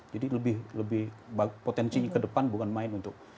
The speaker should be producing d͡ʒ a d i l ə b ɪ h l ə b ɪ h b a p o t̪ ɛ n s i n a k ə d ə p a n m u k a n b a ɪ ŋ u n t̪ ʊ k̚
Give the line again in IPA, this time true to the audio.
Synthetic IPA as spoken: d͡ʒ a d i l ə b ɪ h l ə b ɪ h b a p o t̪ ɛ n s i ɲ a k ə d ə p a n b u k a n m a ɪ n u n t̪ ʊ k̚